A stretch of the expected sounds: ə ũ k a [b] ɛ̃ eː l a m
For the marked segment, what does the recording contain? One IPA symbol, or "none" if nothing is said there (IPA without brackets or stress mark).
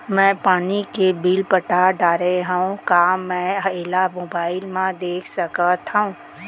m